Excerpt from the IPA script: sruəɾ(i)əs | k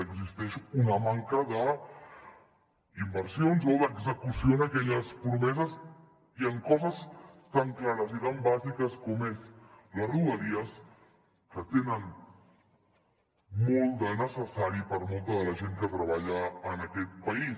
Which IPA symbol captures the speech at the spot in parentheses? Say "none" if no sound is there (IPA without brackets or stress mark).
i